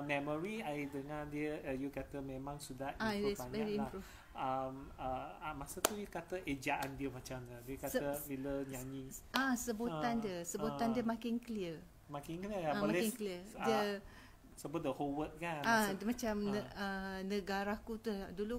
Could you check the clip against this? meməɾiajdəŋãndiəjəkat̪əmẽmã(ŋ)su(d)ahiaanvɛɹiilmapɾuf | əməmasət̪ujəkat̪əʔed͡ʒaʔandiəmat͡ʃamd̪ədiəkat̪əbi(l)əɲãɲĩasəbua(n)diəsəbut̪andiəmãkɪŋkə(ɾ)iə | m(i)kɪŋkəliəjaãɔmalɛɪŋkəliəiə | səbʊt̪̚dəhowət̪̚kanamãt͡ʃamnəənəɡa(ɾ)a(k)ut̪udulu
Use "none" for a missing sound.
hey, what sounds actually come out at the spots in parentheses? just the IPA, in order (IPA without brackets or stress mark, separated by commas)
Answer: ŋ, d, l, n, l, a, ɾ, k